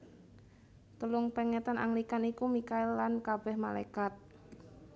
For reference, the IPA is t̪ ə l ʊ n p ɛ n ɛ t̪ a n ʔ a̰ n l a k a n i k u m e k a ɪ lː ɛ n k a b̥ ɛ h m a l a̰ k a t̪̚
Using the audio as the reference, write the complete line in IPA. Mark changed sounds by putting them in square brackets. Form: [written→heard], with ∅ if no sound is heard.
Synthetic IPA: t̪ ə l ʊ [n→ŋ] p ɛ [n→ŋ] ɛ t̪ a n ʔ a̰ [n→ŋ] l [a→i] k a n i k u m [e→i] k a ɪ lː [ɛ→a] n k a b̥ ɛ h m a l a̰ k a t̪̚